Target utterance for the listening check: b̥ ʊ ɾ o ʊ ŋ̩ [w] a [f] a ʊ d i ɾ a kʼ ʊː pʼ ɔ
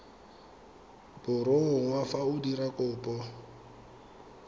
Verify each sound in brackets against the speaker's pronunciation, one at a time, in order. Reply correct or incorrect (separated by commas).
correct, correct